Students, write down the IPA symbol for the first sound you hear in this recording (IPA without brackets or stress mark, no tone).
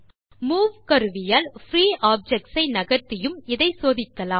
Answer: m